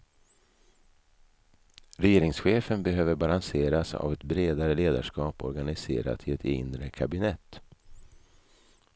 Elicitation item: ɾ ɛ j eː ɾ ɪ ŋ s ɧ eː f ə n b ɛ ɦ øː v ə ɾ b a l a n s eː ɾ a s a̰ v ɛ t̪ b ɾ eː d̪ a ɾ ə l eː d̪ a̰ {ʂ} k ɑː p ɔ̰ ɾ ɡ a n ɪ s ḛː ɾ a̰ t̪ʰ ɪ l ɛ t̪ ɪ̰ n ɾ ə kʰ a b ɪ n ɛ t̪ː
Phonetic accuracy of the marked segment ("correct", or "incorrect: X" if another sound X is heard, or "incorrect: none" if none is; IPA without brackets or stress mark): correct